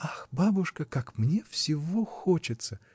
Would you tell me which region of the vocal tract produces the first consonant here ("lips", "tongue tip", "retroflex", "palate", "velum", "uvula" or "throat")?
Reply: velum